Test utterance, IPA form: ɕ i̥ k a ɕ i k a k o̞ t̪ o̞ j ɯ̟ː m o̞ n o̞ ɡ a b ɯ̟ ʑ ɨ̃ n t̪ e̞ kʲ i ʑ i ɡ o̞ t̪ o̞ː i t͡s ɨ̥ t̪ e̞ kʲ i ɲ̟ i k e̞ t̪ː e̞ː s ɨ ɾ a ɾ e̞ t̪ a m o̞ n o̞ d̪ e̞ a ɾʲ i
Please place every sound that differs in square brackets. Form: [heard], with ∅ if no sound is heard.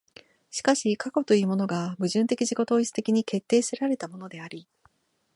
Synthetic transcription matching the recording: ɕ i̥ k a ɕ i k a k o̞ t̪ o̞ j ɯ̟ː m o̞ n o̞ ɡ a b ɯ̟ ʑ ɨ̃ n t̪ e̞ kʲ i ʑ i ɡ o̞ t̪ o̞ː i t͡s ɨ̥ t̪ e̞ kʲ i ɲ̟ i k e̞ t̪ː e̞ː s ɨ ɾ a ɾ e̞ t̪ a m o̞ n o̞ d̪ e̞ a ɾʲ i